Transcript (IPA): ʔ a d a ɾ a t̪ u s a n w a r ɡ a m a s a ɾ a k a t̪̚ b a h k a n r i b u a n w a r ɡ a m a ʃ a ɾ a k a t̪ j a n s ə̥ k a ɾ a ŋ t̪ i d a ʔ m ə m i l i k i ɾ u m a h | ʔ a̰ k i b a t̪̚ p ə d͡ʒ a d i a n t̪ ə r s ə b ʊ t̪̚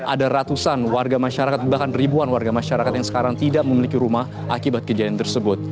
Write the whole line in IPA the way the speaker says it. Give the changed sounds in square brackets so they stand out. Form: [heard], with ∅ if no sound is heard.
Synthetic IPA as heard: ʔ a d a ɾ a t̪ u s a n w a r ɡ a m a [ʃ] a ɾ a k a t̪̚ b a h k a n r i b u a n w a r ɡ a m a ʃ a ɾ a k a t̪ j a [ŋ] s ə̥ k a ɾ a ŋ t̪ i d a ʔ m ə m i l i k i ɾ u m a h | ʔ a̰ k i b a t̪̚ [k] ə d͡ʒ a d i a n t̪ ə r s ə b ʊ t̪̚